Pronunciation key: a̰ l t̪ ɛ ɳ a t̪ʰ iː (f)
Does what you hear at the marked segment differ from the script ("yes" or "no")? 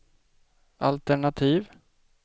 yes